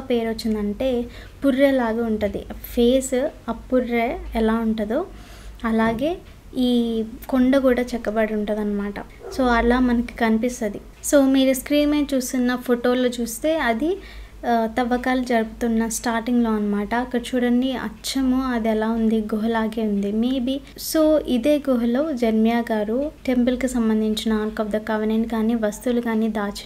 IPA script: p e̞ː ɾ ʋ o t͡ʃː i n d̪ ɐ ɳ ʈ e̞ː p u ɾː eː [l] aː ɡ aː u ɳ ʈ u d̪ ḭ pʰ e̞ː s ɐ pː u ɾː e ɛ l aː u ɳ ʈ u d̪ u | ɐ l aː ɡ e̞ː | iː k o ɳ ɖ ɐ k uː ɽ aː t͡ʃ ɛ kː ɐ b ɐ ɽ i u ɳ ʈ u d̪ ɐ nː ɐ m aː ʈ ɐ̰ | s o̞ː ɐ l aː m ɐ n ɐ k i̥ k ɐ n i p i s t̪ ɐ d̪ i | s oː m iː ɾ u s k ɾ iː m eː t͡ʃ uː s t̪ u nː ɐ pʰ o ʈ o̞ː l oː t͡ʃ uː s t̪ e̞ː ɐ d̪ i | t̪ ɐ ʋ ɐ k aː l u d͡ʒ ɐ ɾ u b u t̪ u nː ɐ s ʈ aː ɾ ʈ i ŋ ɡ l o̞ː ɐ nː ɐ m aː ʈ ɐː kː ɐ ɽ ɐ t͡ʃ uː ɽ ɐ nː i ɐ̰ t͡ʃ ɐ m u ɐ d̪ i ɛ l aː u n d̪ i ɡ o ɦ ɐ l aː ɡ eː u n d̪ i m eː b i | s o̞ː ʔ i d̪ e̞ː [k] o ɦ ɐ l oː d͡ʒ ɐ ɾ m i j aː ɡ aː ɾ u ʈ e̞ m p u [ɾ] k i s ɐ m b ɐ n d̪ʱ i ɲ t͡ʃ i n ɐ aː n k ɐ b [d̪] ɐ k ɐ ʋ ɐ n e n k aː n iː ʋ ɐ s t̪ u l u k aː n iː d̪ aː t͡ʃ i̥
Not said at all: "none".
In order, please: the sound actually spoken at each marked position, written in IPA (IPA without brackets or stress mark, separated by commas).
l, ɡ, l, d̪